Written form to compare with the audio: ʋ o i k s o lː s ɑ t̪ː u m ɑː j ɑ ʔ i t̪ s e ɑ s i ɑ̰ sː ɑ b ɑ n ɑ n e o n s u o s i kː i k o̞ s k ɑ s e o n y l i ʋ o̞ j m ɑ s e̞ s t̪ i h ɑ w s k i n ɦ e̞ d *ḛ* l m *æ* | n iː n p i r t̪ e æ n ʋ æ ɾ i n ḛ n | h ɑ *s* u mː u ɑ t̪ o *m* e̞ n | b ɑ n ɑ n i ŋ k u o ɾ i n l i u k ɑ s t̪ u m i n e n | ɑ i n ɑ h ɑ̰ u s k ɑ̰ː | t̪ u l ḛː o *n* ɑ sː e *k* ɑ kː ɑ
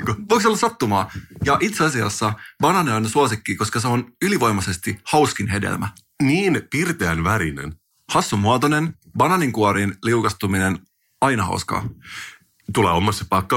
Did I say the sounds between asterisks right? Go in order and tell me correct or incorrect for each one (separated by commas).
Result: correct, correct, incorrect, incorrect, incorrect, incorrect